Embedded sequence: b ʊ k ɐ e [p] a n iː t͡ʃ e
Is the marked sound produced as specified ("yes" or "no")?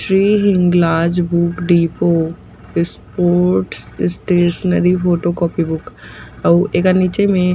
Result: no